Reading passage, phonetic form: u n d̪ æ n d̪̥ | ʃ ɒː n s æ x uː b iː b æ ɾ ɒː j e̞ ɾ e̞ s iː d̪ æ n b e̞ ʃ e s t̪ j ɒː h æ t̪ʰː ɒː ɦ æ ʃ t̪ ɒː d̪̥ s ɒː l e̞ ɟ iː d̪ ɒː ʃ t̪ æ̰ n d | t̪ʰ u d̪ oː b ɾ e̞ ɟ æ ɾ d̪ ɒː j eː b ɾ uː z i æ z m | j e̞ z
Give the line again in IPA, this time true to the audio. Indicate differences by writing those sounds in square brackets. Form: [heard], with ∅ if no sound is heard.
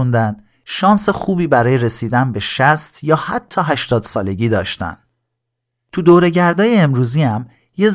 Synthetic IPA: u n d̪ æ n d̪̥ | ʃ ɒː n s [e] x uː b iː b æ ɾ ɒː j e̞ ɾ e̞ s iː d̪ æ n b e̞ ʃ [æ] s t̪ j ɒː h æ t̪ʰː ɒː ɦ æ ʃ t̪ ɒː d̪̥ s ɒː l e̞ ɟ iː d̪ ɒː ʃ t̪ æ̰ n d | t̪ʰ u d̪ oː [∅] ɾ e̞ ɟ æ ɾ d̪ ɒː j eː [m] ɾ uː z i æ [∅] m | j e̞ z